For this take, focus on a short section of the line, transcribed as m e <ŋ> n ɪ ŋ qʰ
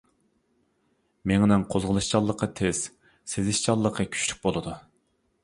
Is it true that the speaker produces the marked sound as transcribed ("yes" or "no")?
yes